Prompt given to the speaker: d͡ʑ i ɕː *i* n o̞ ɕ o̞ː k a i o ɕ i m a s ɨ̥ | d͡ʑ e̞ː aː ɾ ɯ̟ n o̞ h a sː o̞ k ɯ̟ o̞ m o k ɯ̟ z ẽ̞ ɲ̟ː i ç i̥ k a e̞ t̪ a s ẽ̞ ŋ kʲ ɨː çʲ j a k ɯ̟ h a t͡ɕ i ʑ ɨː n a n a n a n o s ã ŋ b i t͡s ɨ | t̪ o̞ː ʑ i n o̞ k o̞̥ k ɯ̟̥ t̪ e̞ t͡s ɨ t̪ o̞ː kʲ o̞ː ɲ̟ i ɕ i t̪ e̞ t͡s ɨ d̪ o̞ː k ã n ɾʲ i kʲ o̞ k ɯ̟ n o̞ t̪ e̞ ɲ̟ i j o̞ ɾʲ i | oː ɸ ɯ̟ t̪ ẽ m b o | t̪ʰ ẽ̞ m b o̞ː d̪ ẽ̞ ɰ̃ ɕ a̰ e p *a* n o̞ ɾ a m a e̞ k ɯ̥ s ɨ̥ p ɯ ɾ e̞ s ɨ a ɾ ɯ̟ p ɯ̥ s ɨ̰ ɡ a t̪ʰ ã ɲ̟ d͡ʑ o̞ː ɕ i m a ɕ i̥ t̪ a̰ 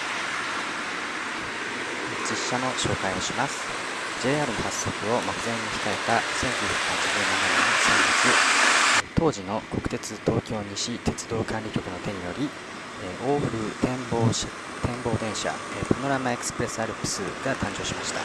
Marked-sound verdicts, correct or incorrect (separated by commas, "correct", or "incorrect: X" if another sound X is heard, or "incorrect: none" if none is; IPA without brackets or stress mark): incorrect: a, correct